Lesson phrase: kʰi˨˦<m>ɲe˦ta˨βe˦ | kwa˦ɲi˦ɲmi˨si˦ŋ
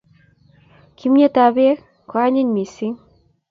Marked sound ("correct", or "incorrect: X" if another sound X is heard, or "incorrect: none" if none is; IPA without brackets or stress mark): correct